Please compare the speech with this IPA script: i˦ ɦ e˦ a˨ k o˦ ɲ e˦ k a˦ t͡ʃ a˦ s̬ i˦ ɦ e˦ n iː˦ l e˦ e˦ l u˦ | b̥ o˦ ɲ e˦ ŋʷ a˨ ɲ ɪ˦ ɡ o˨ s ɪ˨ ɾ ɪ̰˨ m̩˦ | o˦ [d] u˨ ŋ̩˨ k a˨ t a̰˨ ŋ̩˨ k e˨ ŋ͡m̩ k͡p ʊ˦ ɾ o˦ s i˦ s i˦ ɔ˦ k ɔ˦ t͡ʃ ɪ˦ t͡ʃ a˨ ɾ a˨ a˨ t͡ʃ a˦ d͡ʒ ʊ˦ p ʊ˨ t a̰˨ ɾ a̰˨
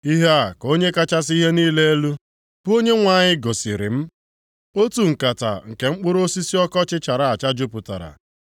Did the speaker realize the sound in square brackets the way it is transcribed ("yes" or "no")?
no